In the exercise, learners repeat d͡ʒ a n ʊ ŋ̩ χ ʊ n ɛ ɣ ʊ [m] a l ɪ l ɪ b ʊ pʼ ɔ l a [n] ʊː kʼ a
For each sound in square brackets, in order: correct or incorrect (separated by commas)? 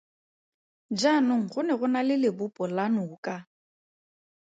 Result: incorrect, correct